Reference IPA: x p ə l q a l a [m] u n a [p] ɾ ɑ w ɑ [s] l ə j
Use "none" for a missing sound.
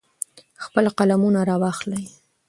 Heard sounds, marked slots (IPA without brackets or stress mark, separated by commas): m, none, x